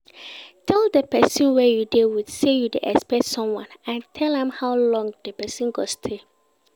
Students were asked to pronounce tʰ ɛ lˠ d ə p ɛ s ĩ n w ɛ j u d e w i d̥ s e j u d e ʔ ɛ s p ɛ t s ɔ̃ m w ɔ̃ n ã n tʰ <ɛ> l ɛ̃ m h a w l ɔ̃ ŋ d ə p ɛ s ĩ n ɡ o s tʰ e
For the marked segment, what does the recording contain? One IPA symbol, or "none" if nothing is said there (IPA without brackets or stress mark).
ɛ